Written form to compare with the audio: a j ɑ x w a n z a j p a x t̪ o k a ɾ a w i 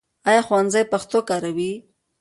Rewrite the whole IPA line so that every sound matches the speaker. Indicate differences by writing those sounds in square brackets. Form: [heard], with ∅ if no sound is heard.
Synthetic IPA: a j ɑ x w a n z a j p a x t̪ o k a ɾ a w i